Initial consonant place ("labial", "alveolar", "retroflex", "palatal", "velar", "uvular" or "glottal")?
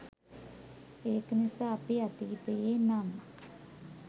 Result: velar